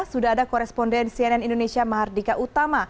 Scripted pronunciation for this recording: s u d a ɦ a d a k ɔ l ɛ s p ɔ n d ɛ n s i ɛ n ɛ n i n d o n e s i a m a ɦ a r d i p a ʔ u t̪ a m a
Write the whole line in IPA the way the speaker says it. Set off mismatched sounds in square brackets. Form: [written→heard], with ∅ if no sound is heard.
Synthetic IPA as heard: s u d a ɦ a d a k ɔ [l→ɾ] ɛ s p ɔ n d ɛ n s i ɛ n ɛ n i n d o n e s i a m a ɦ a r d i [p→k] a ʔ u t̪ a m a

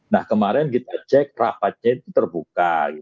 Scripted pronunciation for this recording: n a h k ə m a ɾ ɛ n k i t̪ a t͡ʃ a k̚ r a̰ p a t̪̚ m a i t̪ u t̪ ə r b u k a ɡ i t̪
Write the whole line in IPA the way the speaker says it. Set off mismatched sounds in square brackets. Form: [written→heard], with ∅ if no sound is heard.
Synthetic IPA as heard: n a h k ə m a ɾ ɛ n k i t̪ a t͡ʃ [a→ɛ] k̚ r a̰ p a t̪̚ [m→ɲ] a i t̪ u t̪ ə r b u k a ɡ i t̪

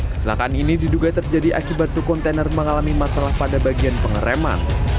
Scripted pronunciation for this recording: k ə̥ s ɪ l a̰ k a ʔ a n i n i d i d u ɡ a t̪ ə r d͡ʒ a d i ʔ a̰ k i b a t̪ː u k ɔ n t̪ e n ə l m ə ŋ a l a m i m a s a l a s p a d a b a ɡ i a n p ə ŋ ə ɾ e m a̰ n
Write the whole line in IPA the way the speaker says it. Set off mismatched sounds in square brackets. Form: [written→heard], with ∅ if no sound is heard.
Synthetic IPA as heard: k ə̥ s [ɪ→i] l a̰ k a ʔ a n i n i d i d u ɡ a t̪ ə r d͡ʒ a d i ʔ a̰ k i b a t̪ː u k ɔ n t̪ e n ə [l→r] m ə ŋ a l a m i m a s a l a [s→h] p a d a b a ɡ i a n p ə ŋ ə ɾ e m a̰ n

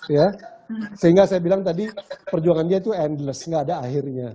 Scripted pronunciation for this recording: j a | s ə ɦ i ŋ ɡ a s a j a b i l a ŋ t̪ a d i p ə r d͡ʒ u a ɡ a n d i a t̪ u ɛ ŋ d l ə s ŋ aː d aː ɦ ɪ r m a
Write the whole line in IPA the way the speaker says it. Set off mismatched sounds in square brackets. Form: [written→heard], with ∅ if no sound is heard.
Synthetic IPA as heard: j a | s ə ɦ i ŋ ɡ a s a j a b i l a ŋ t̪ a d i p ə r d͡ʒ u a [ɡ→ŋ] a n d i a t̪ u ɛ [ŋ→n] d l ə s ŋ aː d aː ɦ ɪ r [m→ɲ] a

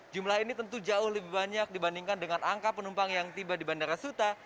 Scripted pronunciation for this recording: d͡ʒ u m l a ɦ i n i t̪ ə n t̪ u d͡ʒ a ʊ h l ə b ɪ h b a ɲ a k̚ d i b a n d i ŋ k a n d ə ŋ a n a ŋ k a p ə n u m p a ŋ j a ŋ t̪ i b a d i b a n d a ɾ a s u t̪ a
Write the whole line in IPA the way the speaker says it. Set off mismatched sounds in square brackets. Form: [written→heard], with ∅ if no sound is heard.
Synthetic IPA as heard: d͡ʒ u m l a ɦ i n i t̪ ə n t̪ u d͡ʒ a ʊ h l ə b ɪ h b a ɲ a k̚ d i b a n d i ŋ k a n d ə ŋ a n a ŋ k a p ə n u m p a ŋ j a ŋ t̪ i b a d i b a n d a ɾ a s u t̪ a

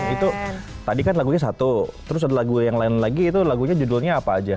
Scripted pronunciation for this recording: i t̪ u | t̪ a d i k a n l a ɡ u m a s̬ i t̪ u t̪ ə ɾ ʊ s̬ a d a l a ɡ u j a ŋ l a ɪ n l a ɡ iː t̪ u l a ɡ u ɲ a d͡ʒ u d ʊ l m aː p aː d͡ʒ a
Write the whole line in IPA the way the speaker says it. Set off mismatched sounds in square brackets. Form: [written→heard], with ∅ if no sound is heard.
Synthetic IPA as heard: i t̪ u | t̪ a d i k a n l a ɡ u [m→ɲ] a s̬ [i→a] t̪ u t̪ ə ɾ ʊ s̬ a d a l a ɡ u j a ŋ l a ɪ n l a ɡ iː t̪ u l a ɡ u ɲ a d͡ʒ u d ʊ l [m→ɲ] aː p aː d͡ʒ a

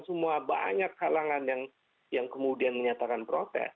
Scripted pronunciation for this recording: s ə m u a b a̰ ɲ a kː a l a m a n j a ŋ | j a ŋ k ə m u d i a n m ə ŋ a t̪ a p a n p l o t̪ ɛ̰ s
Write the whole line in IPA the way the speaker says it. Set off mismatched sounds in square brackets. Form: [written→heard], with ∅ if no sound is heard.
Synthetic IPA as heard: s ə m u a b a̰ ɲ a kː a l a [m→ŋ] a n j a ŋ | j a ŋ k ə m u d i a n m ə [ŋ→ɲ] a t̪ a [p→k] a n p [l→ɾ] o t̪ ɛ̰ s

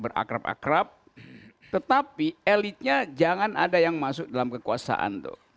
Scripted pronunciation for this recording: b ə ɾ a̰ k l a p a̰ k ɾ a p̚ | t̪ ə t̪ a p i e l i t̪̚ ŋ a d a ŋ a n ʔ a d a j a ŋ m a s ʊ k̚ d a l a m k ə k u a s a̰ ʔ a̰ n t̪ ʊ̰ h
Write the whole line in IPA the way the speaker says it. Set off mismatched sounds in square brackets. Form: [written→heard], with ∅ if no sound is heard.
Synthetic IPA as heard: b ə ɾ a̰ k [l→ɾ] a p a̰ k ɾ a p̚ | t̪ ə t̪ a p i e l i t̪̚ [ŋ→ɲ] a [d→d͡ʒ] a ŋ a n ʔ a d a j a ŋ m a s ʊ k̚ d a l a m k ə k u a s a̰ ʔ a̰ n t̪ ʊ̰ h

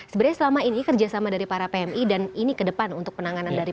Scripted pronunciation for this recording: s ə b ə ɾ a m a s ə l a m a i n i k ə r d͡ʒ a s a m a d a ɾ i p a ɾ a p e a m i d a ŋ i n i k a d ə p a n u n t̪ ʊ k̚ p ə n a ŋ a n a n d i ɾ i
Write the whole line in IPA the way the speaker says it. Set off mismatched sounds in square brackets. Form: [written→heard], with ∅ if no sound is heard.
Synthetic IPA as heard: s ə b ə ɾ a [m→ɲ] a s ə l a m a i n i k ə r d͡ʒ a s a m a d a ɾ i p a ɾ a p e [a→ɛ] m i d a [ŋ→n] i n i k [a→ə] d ə p a n u n t̪ ʊ k̚ p ə n a ŋ a n a n d [i→a] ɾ i

